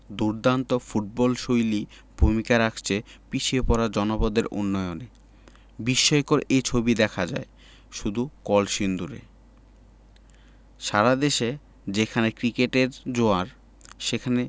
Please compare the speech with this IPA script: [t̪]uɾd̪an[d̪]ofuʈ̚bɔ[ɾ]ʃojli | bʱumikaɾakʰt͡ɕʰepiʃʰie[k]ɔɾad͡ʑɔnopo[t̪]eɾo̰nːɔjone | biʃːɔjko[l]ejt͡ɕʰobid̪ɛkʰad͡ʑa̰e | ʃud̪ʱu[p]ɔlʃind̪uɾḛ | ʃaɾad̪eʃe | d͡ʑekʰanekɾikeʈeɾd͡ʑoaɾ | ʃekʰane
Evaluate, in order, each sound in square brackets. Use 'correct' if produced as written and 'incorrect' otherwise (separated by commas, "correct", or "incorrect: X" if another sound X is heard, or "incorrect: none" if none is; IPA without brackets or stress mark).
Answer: incorrect: d̪, incorrect: t̪, incorrect: l, incorrect: p, incorrect: d̪, incorrect: ɾ, incorrect: k